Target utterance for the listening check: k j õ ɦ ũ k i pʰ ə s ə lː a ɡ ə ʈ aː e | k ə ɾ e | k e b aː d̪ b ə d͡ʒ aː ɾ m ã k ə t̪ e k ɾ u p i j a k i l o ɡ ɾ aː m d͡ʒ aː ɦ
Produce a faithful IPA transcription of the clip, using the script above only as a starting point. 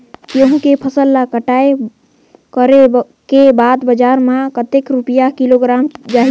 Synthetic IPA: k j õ ɦ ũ k e pʰ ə s ə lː a k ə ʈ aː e | k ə ɾ e | k e b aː d̪ b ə d͡ʒ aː ɾ m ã k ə t̪ e k ɾ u p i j a k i l o ɡ ɾ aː m d͡ʒ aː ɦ